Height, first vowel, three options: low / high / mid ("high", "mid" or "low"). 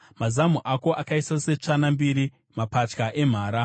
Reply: low